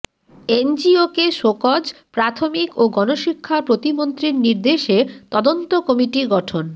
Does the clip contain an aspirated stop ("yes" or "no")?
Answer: yes